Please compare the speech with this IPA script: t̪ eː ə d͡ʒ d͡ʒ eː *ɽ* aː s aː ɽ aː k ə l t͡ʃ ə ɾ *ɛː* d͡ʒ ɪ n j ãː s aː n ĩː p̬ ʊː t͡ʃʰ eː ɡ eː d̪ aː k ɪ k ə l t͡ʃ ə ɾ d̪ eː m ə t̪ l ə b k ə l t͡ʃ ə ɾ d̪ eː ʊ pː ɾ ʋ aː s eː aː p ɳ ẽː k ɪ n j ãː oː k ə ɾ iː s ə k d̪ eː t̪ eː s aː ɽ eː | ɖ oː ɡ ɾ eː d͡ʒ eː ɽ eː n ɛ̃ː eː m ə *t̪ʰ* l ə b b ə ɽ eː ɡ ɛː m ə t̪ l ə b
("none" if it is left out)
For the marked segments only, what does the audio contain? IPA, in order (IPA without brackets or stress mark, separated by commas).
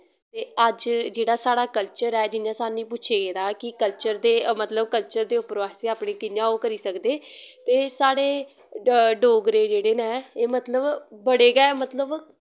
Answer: ɽ, ɛː, t̪